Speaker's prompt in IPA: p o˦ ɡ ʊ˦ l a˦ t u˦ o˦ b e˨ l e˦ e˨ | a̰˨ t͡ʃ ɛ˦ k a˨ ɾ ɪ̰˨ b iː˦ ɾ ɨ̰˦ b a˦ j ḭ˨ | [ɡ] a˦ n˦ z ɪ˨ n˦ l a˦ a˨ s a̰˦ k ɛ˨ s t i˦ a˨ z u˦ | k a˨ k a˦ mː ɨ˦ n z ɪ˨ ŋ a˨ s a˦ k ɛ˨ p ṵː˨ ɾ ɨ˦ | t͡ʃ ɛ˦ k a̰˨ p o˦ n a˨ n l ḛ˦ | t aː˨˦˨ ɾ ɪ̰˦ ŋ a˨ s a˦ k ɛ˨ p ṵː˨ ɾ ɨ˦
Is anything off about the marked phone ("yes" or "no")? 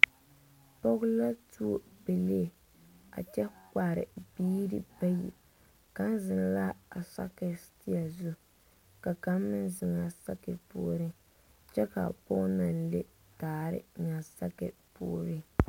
yes